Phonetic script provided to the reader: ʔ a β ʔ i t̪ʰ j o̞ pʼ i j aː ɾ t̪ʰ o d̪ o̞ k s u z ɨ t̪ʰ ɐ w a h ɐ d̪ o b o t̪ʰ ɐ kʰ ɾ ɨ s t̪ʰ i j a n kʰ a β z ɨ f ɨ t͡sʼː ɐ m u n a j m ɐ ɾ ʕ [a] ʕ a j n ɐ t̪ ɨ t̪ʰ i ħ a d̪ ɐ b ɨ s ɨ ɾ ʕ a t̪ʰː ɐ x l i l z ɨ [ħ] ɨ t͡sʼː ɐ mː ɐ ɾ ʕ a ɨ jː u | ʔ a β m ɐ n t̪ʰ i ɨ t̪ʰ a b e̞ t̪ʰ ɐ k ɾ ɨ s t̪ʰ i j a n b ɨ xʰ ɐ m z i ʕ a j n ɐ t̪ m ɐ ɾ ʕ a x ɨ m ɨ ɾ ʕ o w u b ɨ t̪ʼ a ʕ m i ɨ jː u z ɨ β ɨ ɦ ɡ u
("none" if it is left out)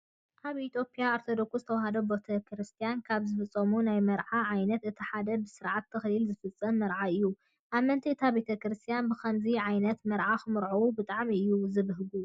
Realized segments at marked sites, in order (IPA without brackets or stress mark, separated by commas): a, f